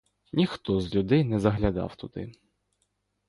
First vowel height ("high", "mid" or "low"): high